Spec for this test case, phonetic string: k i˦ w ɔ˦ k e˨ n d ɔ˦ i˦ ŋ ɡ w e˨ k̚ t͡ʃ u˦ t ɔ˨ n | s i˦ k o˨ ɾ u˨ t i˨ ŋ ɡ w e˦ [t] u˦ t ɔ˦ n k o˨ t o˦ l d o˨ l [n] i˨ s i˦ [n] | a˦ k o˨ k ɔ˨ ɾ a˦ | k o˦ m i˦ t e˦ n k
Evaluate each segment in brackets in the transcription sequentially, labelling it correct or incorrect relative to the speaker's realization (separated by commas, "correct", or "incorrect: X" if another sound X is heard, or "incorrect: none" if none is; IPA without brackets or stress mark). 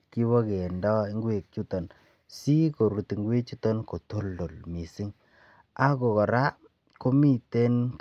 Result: incorrect: t͡ʃ, incorrect: m, incorrect: ŋ